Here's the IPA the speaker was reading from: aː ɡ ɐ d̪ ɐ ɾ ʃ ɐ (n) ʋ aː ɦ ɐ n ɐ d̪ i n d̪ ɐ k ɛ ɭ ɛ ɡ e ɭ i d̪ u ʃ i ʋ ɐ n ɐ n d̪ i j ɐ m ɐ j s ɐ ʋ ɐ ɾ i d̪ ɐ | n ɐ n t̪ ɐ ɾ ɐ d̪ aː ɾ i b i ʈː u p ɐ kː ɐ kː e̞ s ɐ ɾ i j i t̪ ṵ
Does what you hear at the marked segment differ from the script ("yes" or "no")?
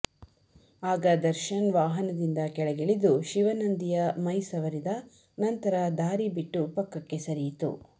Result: no